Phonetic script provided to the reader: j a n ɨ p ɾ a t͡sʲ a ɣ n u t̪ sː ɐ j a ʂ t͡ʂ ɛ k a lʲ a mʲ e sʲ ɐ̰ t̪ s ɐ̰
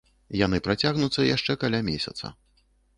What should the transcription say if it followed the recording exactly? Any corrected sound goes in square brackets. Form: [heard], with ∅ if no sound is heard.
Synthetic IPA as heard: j a n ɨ p ɾ a t͡sʲ a ɣ n u t̪ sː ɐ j a ʂ t͡ʂ ɛ k a lʲ a mʲ e sʲ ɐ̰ t̪ s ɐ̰